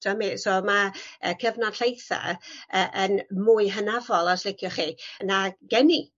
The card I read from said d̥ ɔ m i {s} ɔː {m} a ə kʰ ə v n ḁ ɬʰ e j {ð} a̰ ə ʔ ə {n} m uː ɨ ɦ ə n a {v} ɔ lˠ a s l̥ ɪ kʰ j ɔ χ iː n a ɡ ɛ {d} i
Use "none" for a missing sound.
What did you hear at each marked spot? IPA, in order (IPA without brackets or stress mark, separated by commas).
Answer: s, m, θ, n, v, n